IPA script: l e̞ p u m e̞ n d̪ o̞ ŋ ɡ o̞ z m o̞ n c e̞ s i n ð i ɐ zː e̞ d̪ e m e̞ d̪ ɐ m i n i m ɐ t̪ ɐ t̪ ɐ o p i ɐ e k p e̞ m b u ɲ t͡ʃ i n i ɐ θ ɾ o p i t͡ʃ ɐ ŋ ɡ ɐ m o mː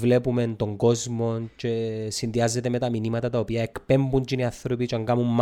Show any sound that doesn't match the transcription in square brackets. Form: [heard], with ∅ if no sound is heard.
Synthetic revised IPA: l e̞ p u m e̞ n [t̪] o̞ ŋ ɡ o̞ z m o̞ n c e̞ s i n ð i ɐ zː e̞ [t̪] e m e̞ [t̪] ɐ m i n i m ɐ t̪ ɐ t̪ ɐ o p i ɐ e k p e̞ m b u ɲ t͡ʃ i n i ɐ θ ɾ o p i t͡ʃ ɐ ŋ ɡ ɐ m [u] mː